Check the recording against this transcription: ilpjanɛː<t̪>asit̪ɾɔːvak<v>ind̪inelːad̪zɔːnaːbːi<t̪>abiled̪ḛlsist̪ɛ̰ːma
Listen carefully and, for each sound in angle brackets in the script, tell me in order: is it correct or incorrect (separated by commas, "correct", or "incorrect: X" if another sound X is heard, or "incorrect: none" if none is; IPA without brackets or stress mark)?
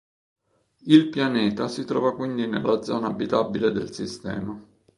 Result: correct, incorrect: w, correct